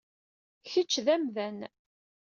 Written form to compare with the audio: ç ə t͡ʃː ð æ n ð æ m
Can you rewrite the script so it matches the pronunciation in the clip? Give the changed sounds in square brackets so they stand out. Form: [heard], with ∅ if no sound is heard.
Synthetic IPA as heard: ç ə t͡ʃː ð æ [m] ð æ [n]

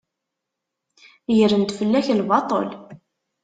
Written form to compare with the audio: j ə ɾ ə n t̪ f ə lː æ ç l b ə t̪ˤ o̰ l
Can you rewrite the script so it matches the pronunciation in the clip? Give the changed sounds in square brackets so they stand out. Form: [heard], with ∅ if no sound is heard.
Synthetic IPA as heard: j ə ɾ ə n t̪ f ə lː æ ç l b [ɑ] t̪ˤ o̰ l

